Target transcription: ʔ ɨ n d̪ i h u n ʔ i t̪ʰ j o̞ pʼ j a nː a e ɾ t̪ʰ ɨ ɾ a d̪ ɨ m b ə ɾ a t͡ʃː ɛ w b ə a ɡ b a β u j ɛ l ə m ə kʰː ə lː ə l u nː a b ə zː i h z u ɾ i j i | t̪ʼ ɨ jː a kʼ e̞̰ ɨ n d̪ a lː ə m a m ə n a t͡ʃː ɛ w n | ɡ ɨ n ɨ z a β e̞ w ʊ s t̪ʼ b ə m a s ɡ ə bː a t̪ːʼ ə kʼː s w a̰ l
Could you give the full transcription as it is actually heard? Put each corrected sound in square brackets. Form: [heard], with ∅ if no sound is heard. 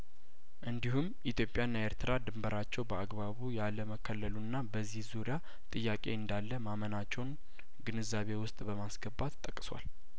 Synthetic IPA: ʔ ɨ n d̪ i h u [m] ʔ i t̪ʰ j o̞ pʼ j a nː a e ɾ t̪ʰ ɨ ɾ a d̪ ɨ m b ə ɾ a t͡ʃː ɛ w b ə a ɡ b a β u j [a] l ə m ə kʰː ə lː ə l u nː a b ə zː i h z u ɾ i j [a] | t̪ʼ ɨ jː a kʼ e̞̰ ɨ n d̪ a lː ə m a m ə n a t͡ʃː ɛ w n | ɡ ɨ n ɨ z a β e̞ w ʊ s t̪ʼ b ə m a s ɡ ə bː a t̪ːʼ ə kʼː s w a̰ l